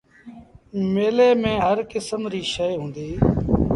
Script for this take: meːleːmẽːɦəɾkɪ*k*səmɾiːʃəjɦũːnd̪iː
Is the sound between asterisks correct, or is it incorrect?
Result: incorrect